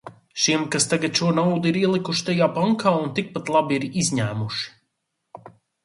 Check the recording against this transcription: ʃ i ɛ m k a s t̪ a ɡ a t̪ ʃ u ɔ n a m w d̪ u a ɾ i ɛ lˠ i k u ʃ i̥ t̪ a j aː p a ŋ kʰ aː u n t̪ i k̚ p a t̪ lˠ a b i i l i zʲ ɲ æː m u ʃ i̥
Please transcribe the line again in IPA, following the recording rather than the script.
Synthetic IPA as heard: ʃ i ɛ m k a s t̪ a ɡ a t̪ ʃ u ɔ n a w d̪ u i ɾ i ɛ lˠ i k u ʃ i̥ t̪ a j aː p a ŋ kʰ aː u n t̪ i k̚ p a t̪ lˠ a b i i ɾ i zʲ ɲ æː m u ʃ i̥

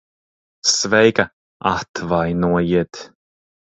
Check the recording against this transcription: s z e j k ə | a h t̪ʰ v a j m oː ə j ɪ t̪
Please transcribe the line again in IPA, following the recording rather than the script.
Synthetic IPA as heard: s v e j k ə | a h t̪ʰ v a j n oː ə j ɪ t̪

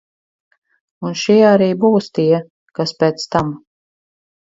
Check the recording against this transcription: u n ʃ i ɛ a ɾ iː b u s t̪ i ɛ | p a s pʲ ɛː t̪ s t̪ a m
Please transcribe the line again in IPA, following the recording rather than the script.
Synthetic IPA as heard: u n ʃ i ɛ a ɾ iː b uː s t̪ i ɛ | k a s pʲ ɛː t̪ s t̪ a m

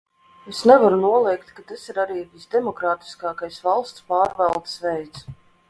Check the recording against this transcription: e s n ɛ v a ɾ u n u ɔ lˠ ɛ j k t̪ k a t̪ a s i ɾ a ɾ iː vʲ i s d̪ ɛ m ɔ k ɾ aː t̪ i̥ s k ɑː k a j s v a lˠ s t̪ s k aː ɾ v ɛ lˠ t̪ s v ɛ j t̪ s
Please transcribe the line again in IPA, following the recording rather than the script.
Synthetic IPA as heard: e s n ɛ v a ɾ u n u ɔ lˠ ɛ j k t̪ k a t̪ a s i ɾ a ɾ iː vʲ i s d̪ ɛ m ɔ k ɾ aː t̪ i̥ s k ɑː k a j s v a lˠ s t̪ s p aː ɾ v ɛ lˠ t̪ s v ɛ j t̪ s

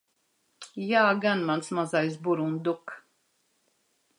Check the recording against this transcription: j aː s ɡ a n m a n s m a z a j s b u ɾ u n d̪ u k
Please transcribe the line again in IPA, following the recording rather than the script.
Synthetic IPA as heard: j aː ɡ a n m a n s m a z a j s b u ɾ u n d̪ u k

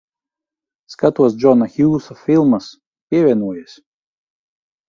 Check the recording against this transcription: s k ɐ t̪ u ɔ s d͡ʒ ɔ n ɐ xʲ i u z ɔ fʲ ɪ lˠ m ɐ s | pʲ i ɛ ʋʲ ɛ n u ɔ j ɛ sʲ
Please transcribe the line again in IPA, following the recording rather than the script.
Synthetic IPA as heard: s k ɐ t̪ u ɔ s d͡ʒ ɔ n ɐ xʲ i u s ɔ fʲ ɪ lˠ m ɐ s | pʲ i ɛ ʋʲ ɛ n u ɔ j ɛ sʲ

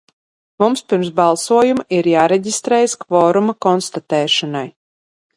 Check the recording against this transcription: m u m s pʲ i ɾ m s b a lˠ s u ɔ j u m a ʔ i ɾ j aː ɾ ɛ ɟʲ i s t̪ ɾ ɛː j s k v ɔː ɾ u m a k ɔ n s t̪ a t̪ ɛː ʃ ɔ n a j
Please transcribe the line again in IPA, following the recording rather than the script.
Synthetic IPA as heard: m u m s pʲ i ɾ m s b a lˠ s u ɔ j u m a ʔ i ɾ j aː ɾ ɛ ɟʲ i s t̪ ɾ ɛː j s k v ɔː ɾ u m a k ɔ n s t̪ a t̪ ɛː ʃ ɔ n a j

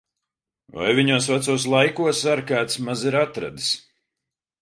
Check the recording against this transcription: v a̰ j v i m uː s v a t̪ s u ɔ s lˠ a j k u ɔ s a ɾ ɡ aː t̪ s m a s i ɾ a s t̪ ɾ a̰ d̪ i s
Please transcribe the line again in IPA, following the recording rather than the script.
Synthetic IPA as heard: v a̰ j v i ɲ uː s v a t̪ s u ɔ s lˠ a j k u ɔ s a ɾ k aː t̪ s m a z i ɾ a t̪ ɾ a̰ d̪ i s

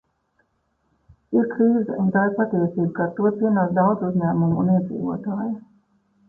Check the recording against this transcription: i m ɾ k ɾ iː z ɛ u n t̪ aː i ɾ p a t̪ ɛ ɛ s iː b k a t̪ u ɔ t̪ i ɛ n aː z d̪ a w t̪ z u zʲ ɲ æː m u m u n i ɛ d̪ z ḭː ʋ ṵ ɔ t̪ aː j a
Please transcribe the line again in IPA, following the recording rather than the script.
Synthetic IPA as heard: i ɾ k ɾ iː z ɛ u n t̪ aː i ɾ p a t̪ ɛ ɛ s iː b k a t̪ u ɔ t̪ i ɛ n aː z d̪ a w d̪ z u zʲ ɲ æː m u m u n i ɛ d̪ z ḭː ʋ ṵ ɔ t̪ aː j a

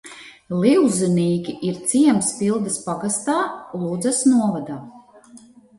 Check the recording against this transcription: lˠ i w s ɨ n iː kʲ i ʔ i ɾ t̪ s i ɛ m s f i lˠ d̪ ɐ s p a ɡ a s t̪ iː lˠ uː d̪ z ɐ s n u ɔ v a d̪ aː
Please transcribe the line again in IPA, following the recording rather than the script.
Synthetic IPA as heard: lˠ i w z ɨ n iː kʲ i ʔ i ɾ t̪ s i ɛ m s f i lˠ d̪ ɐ s p a ɡ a s t̪ aː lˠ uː d̪ z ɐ s n u ɔ v a d̪ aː

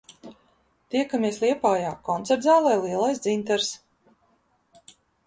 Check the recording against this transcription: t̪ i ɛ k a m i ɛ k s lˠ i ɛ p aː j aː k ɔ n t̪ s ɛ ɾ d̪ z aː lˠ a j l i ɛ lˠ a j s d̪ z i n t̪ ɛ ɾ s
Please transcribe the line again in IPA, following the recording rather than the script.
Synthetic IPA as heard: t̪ i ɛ k a m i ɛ s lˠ i ɛ p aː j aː k ɔ n t̪ s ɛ ɾ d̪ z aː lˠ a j l i ɛ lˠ a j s d̪ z i n t̪ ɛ ɾ s

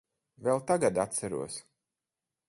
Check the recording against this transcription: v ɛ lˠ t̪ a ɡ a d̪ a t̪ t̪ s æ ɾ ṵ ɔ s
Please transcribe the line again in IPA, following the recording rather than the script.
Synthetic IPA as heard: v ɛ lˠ t̪ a ɡ a d̪ a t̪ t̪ s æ ɾ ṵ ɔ s

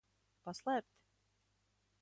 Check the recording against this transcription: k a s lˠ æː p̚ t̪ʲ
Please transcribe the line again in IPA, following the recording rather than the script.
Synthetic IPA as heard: p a s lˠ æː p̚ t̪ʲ

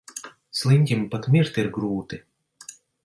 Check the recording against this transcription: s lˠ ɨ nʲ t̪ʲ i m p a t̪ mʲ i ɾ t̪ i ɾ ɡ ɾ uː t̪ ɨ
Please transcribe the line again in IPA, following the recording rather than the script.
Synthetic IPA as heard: s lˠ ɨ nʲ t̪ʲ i m p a t̪ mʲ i ɾ t̪ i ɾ ɡ ɾ uː t̪ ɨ

